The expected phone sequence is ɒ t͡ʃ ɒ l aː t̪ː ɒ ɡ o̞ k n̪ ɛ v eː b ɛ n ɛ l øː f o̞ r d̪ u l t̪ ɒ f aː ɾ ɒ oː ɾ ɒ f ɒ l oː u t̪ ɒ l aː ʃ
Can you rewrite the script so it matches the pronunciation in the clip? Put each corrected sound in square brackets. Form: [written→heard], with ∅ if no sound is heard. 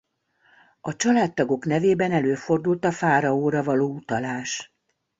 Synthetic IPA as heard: ɒ t͡ʃ ɒ l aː t̪ː ɒ ɡ o̞ k n̪ ɛ v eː b ɛ n ɛ l øː f o̞ r d̪ u l t̪ ɒ f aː ɾ ɒ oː ɾ ɒ [f→v] ɒ l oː u t̪ ɒ l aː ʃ

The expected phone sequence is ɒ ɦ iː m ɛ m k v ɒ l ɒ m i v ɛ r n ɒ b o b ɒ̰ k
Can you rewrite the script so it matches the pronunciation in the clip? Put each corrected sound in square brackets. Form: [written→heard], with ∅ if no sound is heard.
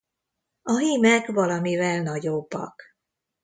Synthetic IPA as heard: ɒ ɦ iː m ɛ [m→∅] k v ɒ l ɒ m i v ɛ [r→l] n ɒ [b→ɟ] o [b→bː] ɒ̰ k

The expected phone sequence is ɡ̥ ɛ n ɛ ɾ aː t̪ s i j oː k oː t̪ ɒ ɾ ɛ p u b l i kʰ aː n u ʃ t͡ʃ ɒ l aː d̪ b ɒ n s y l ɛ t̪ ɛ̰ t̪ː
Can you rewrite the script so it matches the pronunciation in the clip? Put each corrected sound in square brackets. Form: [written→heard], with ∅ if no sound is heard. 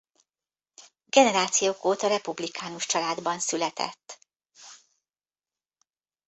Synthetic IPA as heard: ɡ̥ ɛ n ɛ ɾ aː t̪ s i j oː k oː t̪ ɒ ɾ ɛ p u b l i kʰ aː n u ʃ t͡ʃ ɒ l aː d̪ b ɒ n s y l ɛ t̪ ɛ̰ t̪ː

